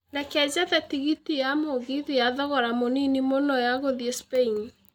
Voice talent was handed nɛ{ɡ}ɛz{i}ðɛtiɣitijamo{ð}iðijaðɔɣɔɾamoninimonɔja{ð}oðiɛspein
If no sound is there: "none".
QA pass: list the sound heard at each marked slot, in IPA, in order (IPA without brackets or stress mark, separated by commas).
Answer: k, a, ɣ, ɣ